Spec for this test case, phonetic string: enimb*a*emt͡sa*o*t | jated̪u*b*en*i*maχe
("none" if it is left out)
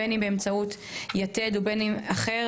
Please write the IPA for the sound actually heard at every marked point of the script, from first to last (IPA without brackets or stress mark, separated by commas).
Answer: e, u, b, i